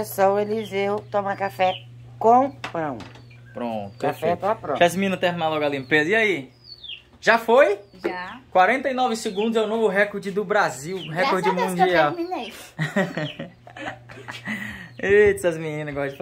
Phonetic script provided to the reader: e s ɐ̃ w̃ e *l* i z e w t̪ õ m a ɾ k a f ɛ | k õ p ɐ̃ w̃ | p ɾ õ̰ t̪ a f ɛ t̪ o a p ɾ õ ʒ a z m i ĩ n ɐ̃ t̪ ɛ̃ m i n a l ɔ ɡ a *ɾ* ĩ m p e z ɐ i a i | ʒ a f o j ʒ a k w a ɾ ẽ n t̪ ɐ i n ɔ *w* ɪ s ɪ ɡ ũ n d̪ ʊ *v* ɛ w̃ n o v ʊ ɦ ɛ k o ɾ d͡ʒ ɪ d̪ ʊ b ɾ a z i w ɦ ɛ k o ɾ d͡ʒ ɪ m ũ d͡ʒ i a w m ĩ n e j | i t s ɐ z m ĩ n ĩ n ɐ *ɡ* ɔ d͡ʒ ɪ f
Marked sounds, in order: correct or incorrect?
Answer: correct, incorrect, incorrect, incorrect, correct

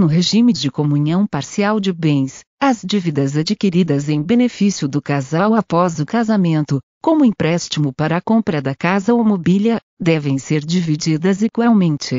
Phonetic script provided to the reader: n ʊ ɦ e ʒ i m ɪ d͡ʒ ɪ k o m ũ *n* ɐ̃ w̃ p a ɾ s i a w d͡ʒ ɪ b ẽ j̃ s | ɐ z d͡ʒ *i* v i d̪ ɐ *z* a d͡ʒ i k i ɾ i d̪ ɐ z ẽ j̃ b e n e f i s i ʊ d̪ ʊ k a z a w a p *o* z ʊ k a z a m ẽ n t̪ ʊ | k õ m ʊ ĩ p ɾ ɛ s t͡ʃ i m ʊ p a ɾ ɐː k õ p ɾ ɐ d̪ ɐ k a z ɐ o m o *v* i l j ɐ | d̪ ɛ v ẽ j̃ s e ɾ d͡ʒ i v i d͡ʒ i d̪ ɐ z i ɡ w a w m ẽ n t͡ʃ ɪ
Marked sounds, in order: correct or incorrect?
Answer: incorrect, correct, correct, incorrect, incorrect

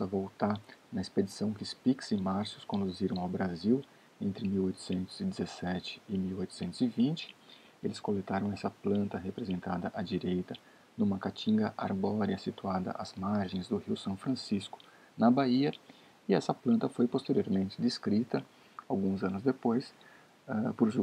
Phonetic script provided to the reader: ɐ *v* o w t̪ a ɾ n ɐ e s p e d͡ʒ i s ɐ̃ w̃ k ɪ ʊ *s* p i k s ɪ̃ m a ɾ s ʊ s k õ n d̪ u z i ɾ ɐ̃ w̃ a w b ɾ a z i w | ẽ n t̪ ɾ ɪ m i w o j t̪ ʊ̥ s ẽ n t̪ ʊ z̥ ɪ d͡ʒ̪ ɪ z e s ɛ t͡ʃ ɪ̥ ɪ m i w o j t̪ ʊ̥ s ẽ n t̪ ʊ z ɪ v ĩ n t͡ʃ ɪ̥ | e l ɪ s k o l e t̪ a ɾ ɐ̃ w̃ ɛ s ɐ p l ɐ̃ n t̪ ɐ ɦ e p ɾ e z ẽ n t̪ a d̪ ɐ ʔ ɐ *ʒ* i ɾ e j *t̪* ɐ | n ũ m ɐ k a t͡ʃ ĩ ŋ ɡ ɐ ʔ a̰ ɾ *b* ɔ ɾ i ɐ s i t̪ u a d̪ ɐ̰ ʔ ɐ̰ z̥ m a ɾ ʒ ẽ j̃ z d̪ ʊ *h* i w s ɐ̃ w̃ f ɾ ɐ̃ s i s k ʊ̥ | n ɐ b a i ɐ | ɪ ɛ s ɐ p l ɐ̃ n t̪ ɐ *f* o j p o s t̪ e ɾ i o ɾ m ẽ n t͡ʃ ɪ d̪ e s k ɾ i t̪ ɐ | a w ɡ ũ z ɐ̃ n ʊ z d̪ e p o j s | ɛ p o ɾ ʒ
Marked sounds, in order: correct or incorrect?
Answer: correct, correct, incorrect, correct, correct, correct, correct

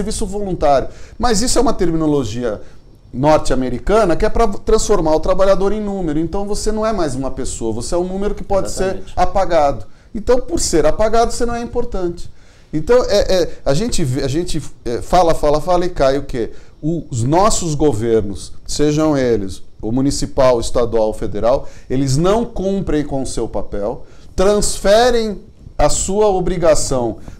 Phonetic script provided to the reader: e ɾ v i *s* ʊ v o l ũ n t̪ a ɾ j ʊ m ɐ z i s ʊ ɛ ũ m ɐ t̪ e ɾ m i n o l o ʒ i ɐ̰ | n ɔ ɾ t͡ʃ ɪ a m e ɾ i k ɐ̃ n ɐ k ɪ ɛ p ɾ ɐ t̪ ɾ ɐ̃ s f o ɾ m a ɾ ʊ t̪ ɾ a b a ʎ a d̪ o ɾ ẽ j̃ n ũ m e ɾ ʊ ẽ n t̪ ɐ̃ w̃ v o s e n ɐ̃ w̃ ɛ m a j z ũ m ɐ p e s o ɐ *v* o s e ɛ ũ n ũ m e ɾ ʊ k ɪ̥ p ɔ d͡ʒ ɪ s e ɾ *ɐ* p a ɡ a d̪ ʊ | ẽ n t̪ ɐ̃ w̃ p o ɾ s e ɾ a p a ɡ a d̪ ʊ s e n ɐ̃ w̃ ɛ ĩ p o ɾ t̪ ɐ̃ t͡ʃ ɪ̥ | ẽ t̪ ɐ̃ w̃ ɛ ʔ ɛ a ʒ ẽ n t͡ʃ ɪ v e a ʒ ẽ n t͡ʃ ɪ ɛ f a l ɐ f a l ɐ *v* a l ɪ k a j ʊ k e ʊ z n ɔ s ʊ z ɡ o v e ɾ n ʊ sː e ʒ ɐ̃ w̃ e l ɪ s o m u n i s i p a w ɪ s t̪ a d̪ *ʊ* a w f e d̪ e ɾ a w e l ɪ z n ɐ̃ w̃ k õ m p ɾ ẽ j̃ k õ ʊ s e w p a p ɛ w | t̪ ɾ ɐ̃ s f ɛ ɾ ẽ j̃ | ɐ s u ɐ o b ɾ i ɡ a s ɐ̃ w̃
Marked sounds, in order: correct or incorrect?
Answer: correct, correct, incorrect, incorrect, incorrect

